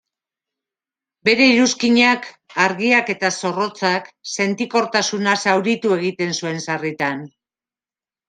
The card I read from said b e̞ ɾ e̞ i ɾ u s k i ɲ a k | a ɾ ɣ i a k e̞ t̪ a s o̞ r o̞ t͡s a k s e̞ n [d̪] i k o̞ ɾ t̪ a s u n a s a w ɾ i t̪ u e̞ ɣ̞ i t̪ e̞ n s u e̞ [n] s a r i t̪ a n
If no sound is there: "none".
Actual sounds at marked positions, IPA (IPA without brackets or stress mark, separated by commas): t̪, n